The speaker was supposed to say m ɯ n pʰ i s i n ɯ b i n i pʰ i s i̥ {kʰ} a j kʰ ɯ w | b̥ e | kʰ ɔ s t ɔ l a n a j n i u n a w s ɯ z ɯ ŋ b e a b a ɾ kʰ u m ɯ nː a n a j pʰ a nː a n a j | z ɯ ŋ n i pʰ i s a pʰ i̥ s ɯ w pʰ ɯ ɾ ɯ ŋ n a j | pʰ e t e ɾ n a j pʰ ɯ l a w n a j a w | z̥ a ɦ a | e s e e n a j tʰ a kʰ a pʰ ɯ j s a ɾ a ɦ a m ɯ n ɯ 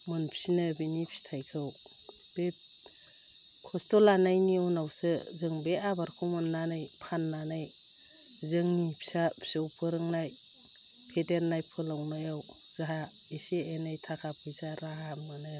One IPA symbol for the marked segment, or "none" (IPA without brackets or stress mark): tʰ